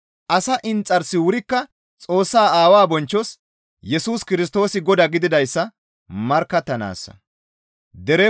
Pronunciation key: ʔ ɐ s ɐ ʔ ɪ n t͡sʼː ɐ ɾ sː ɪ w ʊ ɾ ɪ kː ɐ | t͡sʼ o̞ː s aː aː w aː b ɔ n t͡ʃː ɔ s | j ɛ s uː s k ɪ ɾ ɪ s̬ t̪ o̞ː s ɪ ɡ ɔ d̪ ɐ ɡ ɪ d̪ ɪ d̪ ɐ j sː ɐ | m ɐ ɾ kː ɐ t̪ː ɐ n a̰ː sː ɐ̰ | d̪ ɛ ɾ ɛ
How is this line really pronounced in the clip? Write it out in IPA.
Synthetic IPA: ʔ ɐ s ɐ ʔ ɪ n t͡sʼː ɐ ɾ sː ɪ w ʊ ɾ ɪ kː ɐ | t͡sʼ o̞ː sː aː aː w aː b ɔ n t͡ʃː ɔ s | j ɛ s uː s k ɪ ɾ ɪ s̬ t̪ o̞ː s ɪ ɡ ɔ d̪ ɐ ɡ ɪ d̪ ɪ d̪ ɐ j sː ɐ | m ɐ ɾ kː ɐ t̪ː ɐ n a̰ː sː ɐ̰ | d̪ ɛ ɾ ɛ